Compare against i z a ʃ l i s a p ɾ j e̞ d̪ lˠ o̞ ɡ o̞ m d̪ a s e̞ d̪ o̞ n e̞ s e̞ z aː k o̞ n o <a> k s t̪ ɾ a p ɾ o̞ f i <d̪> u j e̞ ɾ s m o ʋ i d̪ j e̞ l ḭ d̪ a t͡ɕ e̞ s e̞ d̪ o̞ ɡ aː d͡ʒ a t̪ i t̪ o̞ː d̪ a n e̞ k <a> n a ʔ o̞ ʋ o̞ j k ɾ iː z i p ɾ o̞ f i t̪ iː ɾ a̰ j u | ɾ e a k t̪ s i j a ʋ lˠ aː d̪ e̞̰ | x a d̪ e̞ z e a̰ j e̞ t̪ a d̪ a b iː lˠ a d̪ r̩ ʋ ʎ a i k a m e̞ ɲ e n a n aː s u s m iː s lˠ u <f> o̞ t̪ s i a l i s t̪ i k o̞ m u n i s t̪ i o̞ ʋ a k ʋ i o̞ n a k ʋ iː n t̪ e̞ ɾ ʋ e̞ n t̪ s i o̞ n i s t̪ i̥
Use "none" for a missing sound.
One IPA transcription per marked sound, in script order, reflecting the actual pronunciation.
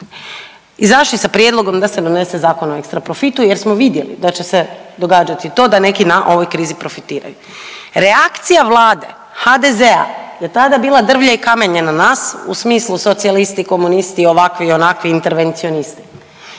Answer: e, t̪, i, s

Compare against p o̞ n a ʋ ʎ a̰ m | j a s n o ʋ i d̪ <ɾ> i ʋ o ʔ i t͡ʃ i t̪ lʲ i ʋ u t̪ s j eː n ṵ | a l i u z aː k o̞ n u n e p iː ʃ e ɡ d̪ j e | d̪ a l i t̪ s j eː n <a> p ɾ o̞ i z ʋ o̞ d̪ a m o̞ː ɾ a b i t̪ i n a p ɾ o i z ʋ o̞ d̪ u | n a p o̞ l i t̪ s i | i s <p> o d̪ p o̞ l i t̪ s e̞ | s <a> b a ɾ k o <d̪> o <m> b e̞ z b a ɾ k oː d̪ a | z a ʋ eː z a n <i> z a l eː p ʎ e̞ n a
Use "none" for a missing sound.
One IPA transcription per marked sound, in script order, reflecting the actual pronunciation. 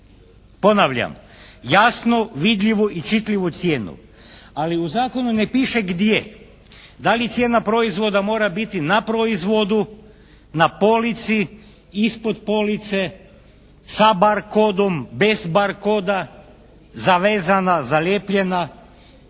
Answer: ʎ, a, p, a, d̪, m, a

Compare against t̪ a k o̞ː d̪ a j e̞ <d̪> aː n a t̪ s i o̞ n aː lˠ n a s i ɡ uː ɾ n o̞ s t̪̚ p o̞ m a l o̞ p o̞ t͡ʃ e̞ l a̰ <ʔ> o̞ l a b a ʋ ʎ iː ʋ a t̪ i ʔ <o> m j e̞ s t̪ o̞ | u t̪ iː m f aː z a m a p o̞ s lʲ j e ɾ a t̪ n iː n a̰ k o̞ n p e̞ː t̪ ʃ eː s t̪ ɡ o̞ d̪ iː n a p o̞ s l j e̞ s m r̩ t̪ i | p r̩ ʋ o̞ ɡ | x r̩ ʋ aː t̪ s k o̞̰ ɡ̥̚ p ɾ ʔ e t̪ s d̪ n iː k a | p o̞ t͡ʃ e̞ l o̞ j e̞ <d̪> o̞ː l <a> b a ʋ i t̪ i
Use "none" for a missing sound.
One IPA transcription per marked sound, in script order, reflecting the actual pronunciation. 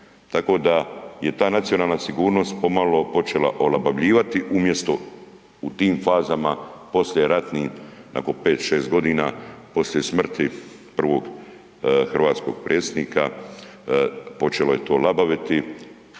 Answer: t̪, ʔ, u, t̪, a

